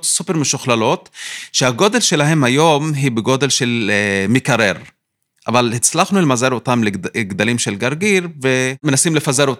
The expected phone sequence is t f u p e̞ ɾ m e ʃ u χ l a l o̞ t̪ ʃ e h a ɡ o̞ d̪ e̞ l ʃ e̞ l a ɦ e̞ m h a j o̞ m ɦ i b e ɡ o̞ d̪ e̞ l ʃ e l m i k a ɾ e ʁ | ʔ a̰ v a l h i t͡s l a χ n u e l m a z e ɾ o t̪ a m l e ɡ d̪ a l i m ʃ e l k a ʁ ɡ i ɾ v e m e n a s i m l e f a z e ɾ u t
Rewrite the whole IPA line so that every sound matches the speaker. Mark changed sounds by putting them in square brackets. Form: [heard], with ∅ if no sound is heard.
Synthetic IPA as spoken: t [s] u p e̞ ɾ m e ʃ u χ l a l o̞ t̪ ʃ e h a ɡ o̞ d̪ e̞ l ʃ e̞ l a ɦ e̞ m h a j o̞ m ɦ i b e ɡ o̞ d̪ e̞ l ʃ e l m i k a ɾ e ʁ | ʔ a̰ v a l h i t͡s l a χ n u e l m a z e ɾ o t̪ a m l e ɡ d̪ a l i m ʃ e l [ɡ] a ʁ ɡ i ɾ v e m e n a s i m l e f a z e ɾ [o] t